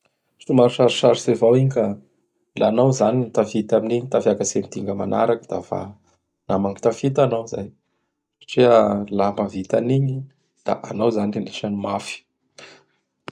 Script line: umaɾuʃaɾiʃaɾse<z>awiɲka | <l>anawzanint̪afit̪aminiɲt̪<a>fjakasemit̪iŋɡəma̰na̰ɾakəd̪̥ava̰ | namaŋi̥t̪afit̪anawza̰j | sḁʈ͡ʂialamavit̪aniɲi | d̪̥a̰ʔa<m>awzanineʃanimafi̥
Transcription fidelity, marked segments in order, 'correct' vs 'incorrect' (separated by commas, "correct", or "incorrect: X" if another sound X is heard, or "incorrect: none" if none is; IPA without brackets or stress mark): incorrect: v, correct, correct, incorrect: n